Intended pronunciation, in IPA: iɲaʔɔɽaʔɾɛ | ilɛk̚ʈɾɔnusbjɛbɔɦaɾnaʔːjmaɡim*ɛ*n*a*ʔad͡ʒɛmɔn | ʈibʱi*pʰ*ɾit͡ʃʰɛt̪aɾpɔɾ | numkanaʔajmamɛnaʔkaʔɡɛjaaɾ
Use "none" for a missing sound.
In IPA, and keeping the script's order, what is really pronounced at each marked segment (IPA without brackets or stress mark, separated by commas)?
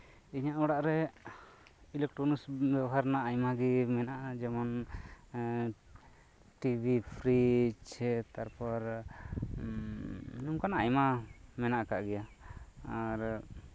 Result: ɛ, a, pʰ